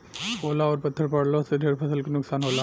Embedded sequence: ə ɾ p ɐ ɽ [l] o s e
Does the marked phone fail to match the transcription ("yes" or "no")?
no